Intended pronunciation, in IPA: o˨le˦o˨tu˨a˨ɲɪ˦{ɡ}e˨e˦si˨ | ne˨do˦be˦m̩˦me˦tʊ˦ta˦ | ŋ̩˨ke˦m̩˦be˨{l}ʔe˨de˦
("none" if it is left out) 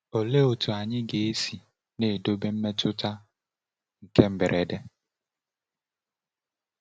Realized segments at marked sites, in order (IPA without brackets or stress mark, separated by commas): ɡ, ɾ